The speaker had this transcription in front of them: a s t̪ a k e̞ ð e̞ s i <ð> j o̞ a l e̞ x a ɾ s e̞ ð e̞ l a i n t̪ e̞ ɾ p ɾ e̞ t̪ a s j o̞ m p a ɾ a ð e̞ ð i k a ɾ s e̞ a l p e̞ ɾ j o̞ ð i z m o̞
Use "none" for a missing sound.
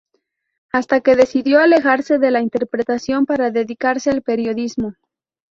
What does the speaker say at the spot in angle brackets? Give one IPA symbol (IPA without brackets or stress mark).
ð